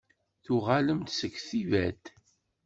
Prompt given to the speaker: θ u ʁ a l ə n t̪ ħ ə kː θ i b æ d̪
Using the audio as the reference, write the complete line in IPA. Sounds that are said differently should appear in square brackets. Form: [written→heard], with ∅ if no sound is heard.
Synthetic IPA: θ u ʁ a l ə [n→m] t̪ [ħ→s] ə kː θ i [b→v] æ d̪